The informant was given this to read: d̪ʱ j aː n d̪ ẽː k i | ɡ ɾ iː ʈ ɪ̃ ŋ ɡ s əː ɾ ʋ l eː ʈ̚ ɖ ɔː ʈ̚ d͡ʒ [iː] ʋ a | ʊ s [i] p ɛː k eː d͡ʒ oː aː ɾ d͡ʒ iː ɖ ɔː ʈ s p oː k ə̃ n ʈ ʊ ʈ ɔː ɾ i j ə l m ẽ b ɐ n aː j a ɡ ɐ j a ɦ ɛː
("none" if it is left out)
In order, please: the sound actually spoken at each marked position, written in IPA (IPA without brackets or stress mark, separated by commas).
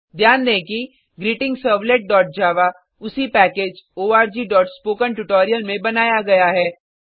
aː, i